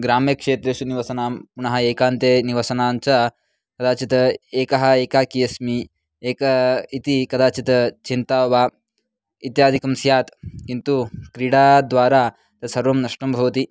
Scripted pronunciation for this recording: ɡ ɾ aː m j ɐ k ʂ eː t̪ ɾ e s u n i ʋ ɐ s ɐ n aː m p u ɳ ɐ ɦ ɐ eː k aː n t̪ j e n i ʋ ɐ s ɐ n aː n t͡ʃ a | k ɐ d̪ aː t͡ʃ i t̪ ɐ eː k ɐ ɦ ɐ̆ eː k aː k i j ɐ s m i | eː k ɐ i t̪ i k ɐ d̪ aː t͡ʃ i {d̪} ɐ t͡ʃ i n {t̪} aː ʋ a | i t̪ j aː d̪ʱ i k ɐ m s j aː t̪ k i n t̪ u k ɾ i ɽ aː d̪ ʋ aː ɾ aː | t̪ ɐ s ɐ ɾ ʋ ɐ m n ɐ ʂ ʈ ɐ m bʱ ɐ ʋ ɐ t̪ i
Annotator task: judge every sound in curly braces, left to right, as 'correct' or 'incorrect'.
incorrect: t̪, correct

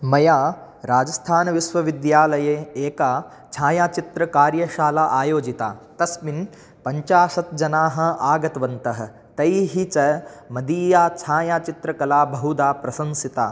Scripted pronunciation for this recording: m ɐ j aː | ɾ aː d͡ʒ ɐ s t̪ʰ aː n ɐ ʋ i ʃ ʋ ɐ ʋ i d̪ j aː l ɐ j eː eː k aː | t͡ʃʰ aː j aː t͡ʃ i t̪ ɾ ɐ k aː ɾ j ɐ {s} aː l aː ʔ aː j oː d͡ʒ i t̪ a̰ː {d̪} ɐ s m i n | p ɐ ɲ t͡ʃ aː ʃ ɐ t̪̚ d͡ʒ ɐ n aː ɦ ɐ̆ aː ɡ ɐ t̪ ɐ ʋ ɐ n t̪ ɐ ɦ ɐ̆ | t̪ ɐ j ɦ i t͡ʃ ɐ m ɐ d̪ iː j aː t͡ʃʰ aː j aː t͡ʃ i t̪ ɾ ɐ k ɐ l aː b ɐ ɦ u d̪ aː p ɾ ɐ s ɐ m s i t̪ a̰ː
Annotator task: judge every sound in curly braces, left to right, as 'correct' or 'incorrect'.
incorrect: ʃ, incorrect: t̪

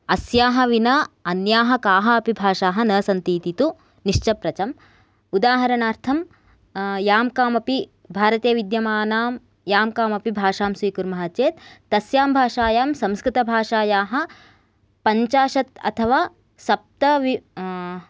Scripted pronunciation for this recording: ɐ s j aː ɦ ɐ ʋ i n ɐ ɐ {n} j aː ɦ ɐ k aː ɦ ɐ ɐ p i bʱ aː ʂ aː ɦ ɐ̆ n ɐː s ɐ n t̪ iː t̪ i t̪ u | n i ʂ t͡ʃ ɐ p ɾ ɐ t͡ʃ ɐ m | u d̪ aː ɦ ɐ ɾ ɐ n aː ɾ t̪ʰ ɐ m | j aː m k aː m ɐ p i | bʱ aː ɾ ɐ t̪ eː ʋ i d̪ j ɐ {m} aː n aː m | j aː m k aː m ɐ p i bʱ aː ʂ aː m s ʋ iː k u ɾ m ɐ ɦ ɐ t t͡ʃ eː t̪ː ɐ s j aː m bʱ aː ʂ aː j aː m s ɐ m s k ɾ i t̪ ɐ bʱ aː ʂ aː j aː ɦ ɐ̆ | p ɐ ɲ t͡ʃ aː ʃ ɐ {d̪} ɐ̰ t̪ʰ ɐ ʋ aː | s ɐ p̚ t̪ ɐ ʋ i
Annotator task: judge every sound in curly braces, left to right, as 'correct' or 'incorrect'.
correct, correct, incorrect: t̪

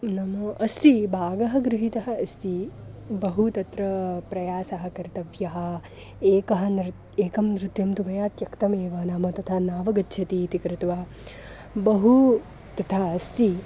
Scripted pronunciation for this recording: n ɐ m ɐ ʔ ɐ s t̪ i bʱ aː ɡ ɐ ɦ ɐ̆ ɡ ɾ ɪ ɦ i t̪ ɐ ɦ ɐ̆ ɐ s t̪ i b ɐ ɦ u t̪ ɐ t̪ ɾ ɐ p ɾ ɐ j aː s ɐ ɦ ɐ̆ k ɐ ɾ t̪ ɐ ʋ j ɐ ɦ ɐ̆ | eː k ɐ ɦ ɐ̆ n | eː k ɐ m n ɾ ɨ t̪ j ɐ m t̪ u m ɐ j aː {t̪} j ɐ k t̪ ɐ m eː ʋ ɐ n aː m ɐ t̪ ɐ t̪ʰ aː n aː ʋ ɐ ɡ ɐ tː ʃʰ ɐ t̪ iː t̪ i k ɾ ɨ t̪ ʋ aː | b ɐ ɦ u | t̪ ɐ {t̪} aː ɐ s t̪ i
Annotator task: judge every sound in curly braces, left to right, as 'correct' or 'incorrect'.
correct, incorrect: t̪ʰ

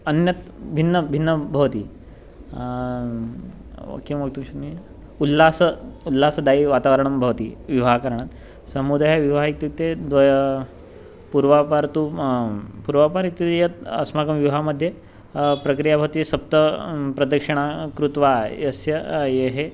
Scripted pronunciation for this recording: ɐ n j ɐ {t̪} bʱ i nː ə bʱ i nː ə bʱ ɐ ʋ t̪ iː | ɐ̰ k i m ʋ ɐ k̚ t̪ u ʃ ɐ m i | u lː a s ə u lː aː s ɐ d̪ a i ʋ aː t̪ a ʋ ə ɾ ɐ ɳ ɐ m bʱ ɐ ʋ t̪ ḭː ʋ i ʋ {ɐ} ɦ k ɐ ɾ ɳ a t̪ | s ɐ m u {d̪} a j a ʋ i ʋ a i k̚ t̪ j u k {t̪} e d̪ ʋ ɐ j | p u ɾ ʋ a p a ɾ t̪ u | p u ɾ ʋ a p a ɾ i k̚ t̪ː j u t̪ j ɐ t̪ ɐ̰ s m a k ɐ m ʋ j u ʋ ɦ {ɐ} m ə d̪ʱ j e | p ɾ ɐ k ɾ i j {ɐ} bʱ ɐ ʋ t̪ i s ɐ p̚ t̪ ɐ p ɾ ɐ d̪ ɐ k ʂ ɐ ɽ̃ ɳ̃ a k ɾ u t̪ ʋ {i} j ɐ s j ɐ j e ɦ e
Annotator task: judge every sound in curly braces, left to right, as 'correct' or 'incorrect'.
correct, incorrect: a, correct, correct, incorrect: a, incorrect: a, incorrect: a

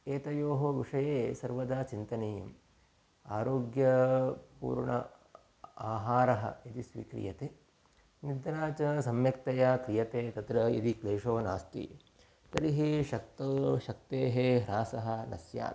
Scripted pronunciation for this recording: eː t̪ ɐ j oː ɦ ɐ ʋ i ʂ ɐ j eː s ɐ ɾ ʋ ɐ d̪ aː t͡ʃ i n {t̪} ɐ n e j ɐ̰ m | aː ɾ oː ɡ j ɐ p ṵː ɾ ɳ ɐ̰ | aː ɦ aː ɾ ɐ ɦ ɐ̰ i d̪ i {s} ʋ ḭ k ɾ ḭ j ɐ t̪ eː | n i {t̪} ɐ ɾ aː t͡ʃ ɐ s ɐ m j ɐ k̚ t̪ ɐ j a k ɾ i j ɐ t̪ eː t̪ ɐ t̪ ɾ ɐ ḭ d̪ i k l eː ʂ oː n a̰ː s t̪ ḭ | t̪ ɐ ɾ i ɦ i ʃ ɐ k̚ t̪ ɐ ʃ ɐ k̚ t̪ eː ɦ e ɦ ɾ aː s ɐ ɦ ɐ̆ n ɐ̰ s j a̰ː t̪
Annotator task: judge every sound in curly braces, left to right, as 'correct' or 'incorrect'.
correct, correct, incorrect: d̪

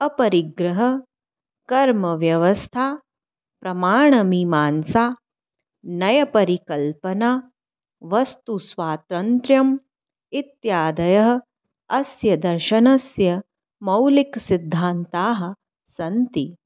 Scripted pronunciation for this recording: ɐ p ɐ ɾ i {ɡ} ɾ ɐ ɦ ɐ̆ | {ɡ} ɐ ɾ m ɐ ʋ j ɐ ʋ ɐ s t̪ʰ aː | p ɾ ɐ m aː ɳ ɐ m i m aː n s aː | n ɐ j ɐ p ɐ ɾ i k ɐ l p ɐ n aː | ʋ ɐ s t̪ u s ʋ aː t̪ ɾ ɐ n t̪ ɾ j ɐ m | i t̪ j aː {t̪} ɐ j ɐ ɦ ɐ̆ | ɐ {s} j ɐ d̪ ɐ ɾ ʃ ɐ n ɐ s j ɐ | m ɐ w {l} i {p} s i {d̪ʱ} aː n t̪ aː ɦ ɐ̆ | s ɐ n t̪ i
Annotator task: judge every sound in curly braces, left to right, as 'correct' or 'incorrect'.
correct, incorrect: k, incorrect: d̪, correct, correct, incorrect: k, incorrect: d̪ʱː

